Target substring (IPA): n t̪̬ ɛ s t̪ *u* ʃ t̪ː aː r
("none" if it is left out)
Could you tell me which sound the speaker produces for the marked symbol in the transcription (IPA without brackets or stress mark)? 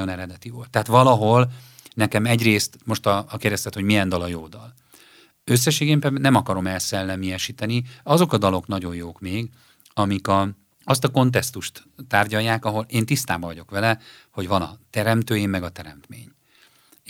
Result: u